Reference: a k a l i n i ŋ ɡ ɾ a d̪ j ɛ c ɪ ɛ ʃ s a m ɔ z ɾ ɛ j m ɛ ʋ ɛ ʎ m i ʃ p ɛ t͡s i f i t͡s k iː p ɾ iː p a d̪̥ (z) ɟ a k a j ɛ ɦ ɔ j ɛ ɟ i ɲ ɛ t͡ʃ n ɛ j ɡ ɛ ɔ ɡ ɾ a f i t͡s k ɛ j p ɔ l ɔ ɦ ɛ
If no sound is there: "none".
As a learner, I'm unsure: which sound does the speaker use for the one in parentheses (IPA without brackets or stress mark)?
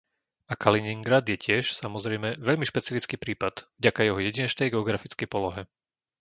v